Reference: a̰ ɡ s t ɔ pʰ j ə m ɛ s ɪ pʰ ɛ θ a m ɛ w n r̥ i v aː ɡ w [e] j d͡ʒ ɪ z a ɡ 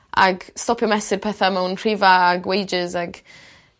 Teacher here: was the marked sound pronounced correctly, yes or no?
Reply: yes